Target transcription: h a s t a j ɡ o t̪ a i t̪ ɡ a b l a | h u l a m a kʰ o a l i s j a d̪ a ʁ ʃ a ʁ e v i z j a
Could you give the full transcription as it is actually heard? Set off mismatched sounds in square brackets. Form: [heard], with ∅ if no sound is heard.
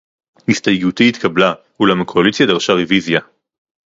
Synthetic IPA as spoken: h [i] s t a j ɡ [u] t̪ [i] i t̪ [k] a b l a | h u l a m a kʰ o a l i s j a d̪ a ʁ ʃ a ʁ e v i z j a